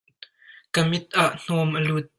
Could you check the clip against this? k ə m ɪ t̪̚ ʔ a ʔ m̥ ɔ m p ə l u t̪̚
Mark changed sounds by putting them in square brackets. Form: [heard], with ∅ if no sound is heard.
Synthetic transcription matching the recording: k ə m ɪ t̪̚ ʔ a ʔ [n̥] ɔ m [ʔ] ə l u t̪̚